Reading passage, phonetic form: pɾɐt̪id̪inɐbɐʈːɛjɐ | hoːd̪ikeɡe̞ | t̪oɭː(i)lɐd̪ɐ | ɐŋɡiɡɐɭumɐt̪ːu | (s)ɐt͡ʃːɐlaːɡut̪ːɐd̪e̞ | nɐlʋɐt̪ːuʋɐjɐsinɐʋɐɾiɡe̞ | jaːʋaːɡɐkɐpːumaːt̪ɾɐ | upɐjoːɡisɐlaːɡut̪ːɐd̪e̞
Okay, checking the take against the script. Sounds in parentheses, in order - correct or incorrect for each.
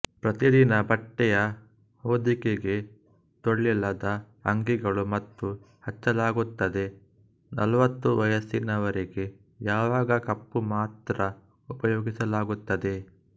correct, incorrect: h

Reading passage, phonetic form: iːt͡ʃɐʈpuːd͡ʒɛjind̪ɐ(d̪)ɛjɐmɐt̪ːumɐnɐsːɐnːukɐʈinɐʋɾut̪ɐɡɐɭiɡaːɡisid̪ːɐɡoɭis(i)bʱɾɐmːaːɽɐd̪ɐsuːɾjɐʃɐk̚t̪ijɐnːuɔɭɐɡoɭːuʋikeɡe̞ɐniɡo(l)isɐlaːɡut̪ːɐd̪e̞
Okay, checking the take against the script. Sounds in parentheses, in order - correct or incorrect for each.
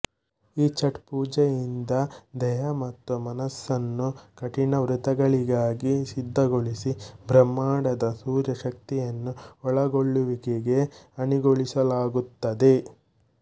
correct, correct, incorrect: ɭ

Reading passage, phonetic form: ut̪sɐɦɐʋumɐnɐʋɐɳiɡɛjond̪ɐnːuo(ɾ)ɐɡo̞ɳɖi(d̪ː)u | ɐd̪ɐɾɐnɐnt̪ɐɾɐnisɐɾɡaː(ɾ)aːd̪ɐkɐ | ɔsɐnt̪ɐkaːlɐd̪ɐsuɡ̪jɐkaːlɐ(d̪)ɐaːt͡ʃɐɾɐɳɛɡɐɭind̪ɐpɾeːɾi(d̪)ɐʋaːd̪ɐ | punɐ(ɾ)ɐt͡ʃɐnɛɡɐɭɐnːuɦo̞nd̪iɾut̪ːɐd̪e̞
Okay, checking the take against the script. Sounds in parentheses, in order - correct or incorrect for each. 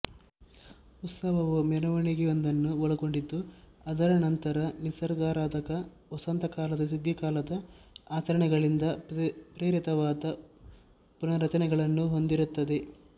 incorrect: ɭ, correct, correct, correct, incorrect: t̪, correct

